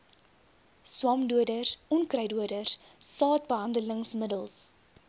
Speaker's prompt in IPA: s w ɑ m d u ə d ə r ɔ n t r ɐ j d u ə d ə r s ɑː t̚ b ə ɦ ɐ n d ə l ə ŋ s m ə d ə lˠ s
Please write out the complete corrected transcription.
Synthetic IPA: s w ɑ m d u ə d ə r ɔ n k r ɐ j d u ə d ə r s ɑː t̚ b ə ɦ ɐ n d ə l ə ŋ s m ə d ə lˠ s